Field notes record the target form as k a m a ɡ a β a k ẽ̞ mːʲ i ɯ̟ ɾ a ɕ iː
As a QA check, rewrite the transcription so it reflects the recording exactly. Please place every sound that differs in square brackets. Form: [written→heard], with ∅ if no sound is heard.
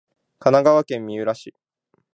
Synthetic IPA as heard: k a [m→n] a ɡ a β a k ẽ̞ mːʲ i ɯ̟ ɾ a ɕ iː